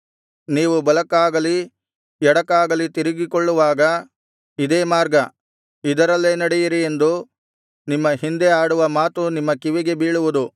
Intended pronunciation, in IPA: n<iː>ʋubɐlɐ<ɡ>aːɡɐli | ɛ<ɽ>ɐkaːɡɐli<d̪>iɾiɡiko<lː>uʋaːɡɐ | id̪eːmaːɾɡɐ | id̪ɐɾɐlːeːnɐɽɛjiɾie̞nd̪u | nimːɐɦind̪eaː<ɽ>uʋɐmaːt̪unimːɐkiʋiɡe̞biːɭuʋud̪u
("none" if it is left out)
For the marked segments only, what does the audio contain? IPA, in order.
iː, k, ɽ, t̪, ɭː, ɽ

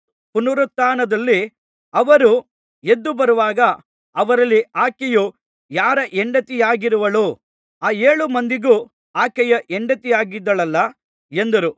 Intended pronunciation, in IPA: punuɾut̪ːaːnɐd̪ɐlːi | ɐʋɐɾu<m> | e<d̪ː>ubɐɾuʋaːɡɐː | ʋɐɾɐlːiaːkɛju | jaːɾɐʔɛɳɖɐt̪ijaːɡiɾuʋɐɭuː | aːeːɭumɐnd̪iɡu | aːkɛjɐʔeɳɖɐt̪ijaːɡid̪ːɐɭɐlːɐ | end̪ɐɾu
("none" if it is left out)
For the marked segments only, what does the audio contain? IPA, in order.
none, d̪ː

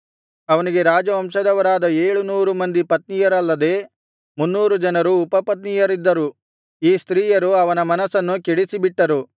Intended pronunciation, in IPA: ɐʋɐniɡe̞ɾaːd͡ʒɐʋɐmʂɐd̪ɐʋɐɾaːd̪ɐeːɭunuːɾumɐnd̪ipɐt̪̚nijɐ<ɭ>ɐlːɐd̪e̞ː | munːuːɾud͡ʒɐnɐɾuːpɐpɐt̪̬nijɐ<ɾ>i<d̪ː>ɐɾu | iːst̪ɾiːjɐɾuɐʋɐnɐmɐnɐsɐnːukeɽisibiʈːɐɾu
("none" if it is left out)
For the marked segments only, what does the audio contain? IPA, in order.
ɾ, ɾ, d̪ː

